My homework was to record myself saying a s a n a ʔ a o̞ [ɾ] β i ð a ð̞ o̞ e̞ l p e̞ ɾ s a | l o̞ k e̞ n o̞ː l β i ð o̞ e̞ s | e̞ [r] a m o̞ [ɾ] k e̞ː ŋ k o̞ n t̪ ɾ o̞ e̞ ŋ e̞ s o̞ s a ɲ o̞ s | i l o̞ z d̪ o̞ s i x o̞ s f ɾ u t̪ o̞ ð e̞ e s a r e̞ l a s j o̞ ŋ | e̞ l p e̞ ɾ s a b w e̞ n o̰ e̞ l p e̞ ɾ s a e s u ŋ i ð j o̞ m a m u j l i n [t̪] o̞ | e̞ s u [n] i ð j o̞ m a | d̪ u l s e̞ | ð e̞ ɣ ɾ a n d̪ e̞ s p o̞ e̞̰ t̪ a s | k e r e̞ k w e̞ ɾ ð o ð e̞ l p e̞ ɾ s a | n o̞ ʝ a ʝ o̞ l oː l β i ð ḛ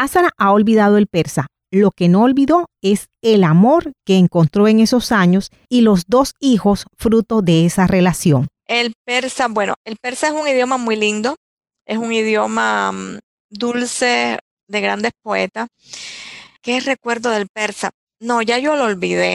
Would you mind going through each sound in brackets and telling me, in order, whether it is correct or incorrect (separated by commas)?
incorrect, incorrect, correct, incorrect, incorrect